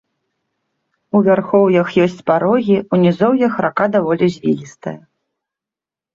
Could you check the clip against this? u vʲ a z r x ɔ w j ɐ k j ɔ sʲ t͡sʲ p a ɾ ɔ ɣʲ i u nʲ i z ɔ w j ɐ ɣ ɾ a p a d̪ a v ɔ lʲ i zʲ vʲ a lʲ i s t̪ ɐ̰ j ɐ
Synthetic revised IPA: u vʲ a r x ɔ w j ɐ x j ɔ sʲ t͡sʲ p a ɾ ɔ ɣʲ i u nʲ i z ɔ w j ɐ x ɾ a k a d̪ a v ɔ lʲ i zʲ vʲ i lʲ i s t̪ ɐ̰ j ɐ